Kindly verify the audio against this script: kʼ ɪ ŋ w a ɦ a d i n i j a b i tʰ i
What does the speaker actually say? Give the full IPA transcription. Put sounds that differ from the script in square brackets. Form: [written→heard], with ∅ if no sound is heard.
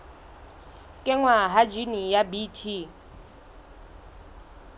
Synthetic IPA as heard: kʼ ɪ ŋ w a ɦ a [d→d͡ʒ] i n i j a b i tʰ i